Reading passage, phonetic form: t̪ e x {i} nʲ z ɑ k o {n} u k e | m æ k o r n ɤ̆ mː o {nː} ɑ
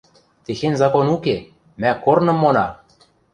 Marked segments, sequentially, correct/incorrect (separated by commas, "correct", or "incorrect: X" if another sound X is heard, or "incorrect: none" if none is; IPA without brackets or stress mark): incorrect: e, correct, incorrect: n